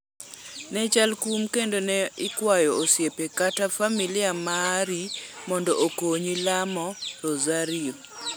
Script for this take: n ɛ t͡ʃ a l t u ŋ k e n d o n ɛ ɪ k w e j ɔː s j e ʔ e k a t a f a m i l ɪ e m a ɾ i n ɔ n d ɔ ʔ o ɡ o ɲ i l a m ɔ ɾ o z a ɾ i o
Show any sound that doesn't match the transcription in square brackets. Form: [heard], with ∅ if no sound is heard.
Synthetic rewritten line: n ɛ t͡ʃ a l [k] u [m] k e n d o n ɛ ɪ k w [a] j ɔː s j e [p] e k a t a f a m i l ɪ [a] m a ɾ i [m] ɔ n d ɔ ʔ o [k] o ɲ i l a m ɔ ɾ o z a ɾ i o